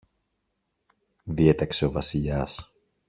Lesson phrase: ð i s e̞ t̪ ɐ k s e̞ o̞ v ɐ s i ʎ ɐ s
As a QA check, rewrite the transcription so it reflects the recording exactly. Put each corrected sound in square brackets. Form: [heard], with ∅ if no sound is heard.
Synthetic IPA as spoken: ð i [∅] e̞ t̪ ɐ k s e̞ o̞ v ɐ s i ʎ ɐ s